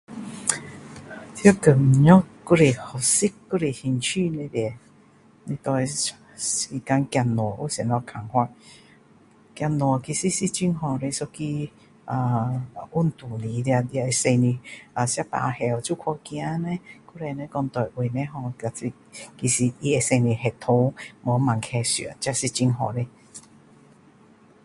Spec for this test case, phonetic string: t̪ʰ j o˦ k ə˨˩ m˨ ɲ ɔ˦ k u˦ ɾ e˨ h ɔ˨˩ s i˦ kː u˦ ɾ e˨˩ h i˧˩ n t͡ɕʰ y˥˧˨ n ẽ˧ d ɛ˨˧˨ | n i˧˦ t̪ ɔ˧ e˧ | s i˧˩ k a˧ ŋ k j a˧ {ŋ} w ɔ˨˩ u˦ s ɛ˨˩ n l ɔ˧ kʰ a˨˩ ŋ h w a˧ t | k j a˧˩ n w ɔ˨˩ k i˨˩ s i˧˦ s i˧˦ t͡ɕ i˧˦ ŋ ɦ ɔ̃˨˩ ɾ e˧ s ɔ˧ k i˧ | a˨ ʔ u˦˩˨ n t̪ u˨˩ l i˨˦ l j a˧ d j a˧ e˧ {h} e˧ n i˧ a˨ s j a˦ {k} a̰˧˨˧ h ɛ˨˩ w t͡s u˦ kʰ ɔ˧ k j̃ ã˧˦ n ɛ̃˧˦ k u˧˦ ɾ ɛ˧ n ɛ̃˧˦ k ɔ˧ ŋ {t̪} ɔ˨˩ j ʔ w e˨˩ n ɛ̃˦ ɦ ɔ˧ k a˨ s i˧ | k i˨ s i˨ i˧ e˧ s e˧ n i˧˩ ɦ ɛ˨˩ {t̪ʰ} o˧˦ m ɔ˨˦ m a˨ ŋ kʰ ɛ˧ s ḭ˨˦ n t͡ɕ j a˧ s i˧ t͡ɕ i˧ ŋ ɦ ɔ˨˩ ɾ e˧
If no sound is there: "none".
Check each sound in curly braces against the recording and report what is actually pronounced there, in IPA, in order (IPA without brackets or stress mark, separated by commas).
n, s, p, t̪, t̪ʰ